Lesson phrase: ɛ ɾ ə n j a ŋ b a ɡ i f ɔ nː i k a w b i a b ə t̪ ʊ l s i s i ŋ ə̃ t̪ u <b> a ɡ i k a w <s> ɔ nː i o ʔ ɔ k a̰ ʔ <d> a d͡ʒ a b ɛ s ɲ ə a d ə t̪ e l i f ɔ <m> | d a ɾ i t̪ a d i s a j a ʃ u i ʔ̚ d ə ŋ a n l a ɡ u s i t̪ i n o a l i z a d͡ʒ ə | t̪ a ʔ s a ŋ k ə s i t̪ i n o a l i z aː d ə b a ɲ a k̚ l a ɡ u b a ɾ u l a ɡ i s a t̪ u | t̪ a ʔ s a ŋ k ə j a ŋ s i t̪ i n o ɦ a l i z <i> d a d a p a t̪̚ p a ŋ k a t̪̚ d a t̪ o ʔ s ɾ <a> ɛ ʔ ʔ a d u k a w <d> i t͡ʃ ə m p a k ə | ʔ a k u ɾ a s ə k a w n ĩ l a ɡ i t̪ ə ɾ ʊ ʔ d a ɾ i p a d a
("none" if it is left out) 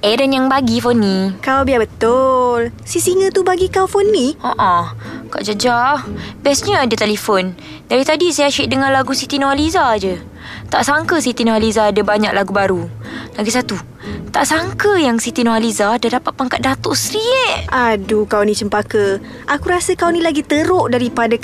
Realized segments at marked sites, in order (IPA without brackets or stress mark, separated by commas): b, f, d͡ʒ, n, a, i, n